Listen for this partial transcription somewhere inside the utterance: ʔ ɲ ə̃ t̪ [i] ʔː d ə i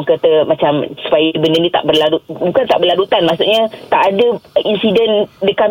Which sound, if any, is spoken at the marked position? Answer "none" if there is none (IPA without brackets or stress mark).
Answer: a